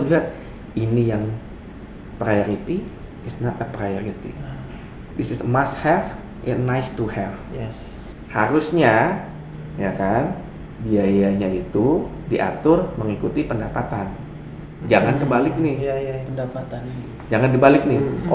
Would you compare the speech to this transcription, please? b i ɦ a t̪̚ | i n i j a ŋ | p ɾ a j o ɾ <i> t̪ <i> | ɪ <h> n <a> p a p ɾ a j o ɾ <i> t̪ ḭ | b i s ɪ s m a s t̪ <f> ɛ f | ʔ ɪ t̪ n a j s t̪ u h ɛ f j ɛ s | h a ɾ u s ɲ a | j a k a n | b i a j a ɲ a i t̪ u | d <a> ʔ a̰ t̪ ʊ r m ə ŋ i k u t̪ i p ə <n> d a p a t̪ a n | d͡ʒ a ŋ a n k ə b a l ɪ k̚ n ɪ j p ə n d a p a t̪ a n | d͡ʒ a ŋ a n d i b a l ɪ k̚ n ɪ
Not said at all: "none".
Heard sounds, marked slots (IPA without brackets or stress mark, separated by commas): i, i, s, a, i, h, i, n